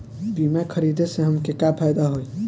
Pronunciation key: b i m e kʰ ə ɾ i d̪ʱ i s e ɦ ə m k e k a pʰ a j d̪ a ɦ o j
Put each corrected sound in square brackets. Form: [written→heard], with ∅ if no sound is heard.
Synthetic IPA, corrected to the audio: b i m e kʰ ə ɾ i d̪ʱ [i→e] s e ɦ ə m k e k a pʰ a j d̪ a ɦ o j